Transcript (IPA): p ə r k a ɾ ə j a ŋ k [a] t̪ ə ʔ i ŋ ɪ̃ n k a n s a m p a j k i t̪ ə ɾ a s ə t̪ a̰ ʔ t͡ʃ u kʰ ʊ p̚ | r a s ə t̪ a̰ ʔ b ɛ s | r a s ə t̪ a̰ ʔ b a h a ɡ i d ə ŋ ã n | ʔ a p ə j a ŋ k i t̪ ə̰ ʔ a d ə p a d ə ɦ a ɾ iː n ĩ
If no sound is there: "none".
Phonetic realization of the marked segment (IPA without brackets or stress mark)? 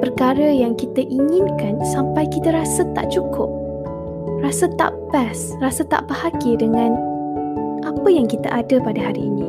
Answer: i